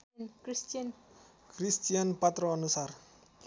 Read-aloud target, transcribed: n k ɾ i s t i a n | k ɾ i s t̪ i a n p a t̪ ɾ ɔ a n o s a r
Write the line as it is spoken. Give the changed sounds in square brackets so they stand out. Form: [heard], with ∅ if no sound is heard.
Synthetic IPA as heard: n k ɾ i s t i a n | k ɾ i s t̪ i a n p a t̪ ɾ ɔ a n [u] s a r

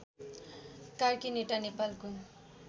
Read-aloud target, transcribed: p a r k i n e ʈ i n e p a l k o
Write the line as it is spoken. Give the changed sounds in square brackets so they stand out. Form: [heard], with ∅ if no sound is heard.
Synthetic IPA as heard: [k] a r k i n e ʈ [a] n e p a l k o

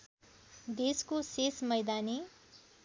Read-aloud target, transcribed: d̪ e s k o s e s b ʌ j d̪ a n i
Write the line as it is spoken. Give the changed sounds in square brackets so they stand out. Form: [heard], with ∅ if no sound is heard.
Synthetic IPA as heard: d̪ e s k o s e s [m] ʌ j d̪ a n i

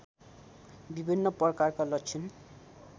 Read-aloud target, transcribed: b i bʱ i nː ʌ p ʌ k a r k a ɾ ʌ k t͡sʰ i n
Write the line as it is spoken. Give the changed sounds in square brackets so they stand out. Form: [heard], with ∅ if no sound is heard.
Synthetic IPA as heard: b i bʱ i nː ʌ p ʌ k a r k a [l] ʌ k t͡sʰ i n

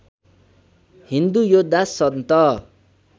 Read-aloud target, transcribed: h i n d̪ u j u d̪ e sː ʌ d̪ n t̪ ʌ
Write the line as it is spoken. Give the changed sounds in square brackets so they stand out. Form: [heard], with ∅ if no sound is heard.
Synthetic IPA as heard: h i n d̪ u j [o] d̪ [a] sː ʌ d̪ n t̪ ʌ

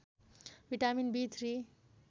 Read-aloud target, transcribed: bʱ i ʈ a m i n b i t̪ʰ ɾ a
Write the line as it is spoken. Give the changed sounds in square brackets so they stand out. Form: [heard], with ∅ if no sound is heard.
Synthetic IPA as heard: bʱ i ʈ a m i n b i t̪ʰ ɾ [i]

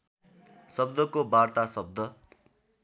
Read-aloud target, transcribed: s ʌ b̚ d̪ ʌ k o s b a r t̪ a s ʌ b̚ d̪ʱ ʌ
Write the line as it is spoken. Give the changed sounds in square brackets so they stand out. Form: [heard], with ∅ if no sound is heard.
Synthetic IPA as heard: s ʌ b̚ d̪ ʌ k o [∅] b a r t̪ a s ʌ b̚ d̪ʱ ʌ

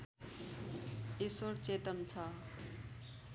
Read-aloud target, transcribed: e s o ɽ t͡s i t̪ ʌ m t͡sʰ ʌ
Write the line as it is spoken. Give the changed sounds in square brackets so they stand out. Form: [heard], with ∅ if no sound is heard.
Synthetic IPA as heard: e s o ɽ t͡s [e] t̪ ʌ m t͡sʰ ʌ

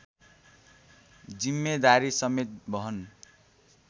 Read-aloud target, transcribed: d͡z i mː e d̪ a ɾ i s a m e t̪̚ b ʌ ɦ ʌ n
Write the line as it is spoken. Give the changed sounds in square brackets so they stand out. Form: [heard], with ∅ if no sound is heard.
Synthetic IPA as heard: d͡z i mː e d̪ a ɾ i s [ʌ] m e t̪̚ b ʌ ɦ ʌ n

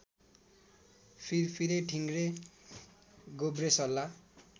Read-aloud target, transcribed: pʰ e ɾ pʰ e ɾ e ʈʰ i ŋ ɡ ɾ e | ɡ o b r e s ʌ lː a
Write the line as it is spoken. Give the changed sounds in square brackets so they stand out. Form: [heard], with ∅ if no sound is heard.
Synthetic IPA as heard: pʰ [i] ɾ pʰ [i] ɾ e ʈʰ i ŋ ɡ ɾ e | ɡ o b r e s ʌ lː a

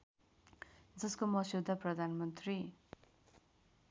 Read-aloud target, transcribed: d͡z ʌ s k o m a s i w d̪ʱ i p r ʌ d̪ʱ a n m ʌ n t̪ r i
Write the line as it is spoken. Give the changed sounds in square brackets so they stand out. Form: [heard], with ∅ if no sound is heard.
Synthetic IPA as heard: d͡z ʌ s k o m [ʌ] s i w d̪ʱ [a] p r ʌ d̪ʱ a n m ʌ n t̪ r i

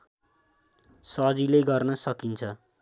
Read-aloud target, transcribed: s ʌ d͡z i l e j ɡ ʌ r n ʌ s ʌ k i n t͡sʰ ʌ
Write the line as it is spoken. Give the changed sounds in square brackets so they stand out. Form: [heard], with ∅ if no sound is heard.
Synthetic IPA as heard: s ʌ d͡z i l e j ɡ ʌ r n ʌ s ʌ k i n t͡sʰ ʌ

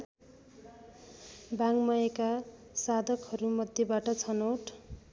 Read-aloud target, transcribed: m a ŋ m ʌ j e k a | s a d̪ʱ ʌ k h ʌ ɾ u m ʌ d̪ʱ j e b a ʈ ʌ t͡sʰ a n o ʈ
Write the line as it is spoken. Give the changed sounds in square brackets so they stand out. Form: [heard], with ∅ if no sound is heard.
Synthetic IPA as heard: [b] a ŋ m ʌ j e k a | s a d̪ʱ ʌ k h ʌ ɾ u m ʌ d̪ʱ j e b a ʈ ʌ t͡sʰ [ʌ] n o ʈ

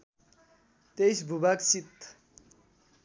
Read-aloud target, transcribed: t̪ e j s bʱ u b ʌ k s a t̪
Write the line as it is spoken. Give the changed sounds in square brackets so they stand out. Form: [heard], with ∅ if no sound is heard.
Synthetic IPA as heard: t̪ e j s bʱ u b [a] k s [i] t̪

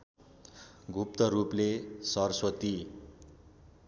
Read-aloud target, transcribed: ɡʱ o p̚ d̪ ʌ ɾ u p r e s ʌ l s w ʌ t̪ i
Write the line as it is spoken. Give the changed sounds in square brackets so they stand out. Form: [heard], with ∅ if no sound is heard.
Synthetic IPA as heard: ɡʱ [u] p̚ [t̪] ʌ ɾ u p [l] e s ʌ [r] s w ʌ t̪ i

